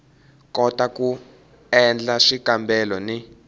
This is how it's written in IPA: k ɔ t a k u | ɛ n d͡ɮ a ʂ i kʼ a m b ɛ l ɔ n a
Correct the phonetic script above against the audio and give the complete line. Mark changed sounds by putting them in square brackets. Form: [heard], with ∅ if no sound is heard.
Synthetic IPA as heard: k ɔ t a k u | ɛ n d͡ɮ a ʂ i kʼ a m b ɛ l ɔ n [i]